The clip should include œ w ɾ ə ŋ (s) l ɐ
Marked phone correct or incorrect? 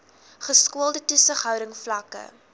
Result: incorrect